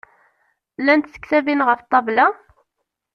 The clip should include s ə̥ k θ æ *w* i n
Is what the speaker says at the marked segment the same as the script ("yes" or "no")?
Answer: no